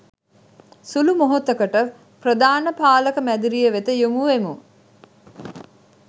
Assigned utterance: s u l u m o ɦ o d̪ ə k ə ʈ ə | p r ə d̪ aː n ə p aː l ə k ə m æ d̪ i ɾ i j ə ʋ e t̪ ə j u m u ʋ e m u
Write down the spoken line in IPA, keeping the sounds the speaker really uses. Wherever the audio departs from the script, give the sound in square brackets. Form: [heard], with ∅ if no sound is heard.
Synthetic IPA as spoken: s u l u m o ɦ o [t̪] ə k ə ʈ ə | p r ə d̪ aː n ə p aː l ə k ə m æ d̪ i ɾ i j ə ʋ e t̪ ə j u m u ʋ e m u